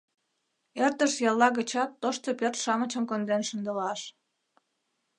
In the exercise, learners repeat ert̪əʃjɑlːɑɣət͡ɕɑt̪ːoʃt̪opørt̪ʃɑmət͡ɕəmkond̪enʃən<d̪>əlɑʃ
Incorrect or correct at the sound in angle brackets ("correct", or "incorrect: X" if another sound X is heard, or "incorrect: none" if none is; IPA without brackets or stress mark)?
correct